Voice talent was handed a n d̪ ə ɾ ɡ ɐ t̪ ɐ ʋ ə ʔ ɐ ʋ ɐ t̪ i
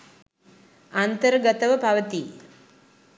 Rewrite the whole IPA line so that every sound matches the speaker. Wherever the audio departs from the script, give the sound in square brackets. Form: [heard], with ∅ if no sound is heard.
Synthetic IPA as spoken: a n [t̪] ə ɾ ɡ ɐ t̪ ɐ ʋ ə [p] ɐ ʋ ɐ t̪ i